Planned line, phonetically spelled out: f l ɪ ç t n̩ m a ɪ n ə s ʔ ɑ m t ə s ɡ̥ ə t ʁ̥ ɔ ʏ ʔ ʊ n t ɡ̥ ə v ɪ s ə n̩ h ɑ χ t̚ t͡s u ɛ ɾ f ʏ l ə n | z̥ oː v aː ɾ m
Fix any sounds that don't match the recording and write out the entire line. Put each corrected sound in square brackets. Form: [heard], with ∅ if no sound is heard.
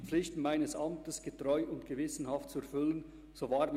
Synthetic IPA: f l ɪ ç t n̩ m a ɪ n ə s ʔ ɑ m t ə s ɡ̥ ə t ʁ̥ ɔ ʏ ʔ ʊ n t ɡ̥ ə v ɪ s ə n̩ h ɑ [f] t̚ t͡s u ɛ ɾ f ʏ l ə n | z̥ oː v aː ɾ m